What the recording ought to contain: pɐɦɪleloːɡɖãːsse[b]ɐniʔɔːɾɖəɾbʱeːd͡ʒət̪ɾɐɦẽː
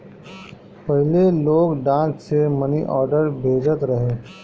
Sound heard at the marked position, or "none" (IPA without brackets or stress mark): m